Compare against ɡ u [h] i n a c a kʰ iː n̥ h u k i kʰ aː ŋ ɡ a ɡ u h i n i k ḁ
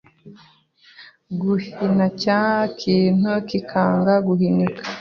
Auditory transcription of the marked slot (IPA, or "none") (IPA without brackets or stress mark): h